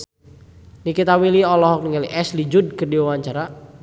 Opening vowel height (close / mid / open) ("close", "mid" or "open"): close